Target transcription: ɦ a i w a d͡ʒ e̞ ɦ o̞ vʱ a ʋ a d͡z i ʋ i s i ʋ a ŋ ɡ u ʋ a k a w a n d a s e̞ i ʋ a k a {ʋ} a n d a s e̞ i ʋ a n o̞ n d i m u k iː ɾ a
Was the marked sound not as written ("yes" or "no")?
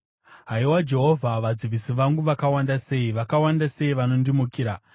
yes